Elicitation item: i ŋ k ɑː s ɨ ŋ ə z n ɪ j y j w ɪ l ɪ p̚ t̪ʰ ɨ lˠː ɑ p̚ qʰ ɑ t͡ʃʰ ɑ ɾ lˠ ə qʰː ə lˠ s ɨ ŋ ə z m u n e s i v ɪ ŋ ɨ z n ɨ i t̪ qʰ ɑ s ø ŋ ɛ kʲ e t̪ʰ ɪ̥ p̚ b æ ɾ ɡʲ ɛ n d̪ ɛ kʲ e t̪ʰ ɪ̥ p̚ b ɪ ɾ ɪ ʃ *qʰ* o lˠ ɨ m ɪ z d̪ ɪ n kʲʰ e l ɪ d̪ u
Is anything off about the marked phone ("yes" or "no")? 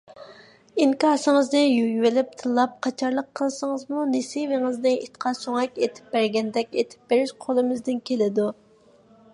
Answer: no